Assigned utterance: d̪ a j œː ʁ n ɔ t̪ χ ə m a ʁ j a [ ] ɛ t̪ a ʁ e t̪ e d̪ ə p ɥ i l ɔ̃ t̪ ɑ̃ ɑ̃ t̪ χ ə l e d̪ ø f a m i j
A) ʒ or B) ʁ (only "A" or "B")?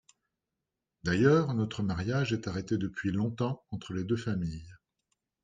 A